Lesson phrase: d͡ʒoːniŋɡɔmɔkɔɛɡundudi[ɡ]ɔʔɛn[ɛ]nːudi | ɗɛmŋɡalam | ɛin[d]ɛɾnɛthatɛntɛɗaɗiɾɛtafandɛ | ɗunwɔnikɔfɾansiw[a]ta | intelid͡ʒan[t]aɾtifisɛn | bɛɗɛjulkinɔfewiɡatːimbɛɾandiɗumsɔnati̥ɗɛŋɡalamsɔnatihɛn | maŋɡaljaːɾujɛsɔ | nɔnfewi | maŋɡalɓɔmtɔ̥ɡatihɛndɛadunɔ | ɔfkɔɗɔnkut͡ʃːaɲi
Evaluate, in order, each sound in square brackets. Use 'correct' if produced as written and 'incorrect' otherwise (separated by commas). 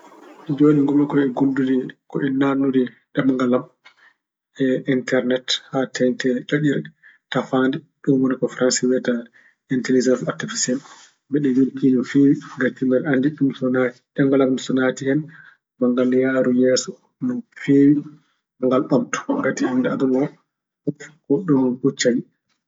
incorrect, incorrect, incorrect, incorrect, incorrect